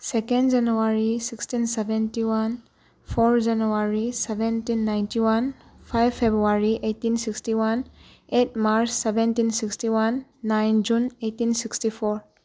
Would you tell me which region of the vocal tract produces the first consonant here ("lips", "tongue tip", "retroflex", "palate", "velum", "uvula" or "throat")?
tongue tip